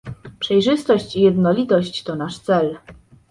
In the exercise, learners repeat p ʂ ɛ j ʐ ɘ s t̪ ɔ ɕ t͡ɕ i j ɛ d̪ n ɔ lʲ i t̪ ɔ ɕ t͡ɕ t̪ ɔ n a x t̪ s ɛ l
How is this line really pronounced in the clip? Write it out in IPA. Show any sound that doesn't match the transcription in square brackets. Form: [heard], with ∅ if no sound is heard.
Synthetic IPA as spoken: p ʂ ɛ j ʐ ɘ s t̪ ɔ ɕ t͡ɕ i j ɛ d̪ n ɔ lʲ i t̪ ɔ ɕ t͡ɕ t̪ ɔ n a [ʂ] t̪ s ɛ l